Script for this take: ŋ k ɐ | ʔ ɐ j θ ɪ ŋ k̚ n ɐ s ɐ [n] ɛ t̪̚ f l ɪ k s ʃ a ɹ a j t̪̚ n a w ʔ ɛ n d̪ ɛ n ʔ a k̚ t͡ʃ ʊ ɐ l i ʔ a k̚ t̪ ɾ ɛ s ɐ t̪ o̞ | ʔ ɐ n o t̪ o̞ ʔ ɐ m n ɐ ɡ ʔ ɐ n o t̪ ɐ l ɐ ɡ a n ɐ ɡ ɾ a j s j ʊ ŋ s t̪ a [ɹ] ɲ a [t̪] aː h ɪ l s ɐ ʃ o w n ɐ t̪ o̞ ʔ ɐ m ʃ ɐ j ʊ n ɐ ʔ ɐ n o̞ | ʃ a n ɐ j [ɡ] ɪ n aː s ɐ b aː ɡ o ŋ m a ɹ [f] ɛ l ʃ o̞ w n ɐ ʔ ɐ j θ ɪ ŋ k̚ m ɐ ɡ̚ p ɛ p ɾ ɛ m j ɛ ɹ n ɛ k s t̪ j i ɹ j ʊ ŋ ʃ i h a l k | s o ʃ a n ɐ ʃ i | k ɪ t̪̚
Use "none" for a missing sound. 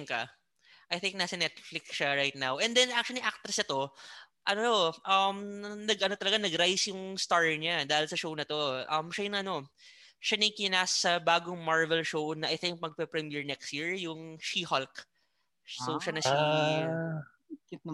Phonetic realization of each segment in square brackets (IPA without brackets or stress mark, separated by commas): n, ɹ, d̪, k, v